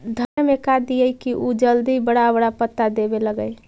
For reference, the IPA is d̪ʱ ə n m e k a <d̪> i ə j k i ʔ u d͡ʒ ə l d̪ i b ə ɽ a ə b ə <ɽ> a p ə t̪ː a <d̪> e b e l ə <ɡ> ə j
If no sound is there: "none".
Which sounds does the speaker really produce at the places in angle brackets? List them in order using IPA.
d̪, ɽ, d̪, ɡ

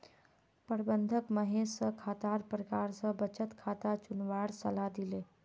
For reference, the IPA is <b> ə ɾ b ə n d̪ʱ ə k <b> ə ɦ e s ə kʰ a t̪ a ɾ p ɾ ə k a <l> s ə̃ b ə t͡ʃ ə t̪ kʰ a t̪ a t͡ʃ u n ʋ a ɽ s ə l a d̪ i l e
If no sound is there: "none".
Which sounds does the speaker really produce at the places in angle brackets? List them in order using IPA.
p, m, ɾ

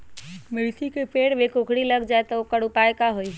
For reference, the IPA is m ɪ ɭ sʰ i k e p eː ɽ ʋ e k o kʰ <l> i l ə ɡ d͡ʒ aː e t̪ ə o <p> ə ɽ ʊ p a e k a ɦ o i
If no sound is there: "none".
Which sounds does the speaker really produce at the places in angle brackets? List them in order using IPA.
ɽ, k

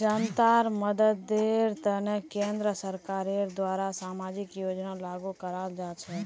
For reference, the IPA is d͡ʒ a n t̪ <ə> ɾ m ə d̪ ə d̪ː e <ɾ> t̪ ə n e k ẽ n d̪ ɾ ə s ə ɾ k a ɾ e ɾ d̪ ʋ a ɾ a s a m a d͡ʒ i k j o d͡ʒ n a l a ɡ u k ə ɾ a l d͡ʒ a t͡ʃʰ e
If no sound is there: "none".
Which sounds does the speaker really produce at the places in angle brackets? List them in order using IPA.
a, ɾ

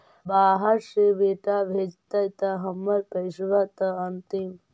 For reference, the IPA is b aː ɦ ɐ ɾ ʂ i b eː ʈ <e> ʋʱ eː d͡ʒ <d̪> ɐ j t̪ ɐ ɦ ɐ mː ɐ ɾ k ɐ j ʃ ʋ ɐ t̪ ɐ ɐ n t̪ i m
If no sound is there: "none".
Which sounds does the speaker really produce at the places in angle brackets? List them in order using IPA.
a, t̪

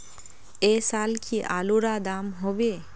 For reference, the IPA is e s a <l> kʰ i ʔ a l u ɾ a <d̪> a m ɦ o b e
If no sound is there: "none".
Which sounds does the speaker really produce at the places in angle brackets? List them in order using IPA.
l, d̪

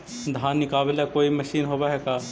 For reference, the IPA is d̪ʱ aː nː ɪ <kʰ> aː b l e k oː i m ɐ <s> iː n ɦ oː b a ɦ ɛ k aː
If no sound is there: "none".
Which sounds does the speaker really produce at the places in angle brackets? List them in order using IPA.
k, ʃ

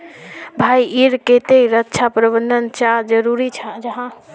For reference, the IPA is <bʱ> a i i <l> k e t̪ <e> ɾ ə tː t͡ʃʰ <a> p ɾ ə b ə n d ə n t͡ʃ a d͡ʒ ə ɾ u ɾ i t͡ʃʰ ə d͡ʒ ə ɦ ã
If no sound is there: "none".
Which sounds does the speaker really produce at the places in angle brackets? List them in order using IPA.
bʱ, ɾ, e, a

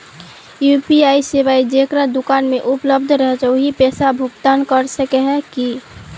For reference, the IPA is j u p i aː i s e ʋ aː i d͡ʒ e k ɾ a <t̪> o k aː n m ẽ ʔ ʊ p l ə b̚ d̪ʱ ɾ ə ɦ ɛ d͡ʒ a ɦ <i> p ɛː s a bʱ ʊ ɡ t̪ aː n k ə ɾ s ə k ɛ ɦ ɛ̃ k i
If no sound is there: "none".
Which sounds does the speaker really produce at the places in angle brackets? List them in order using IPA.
d̪, i

